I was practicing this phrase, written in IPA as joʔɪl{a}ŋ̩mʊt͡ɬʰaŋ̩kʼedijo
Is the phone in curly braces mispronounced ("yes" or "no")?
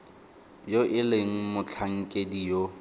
yes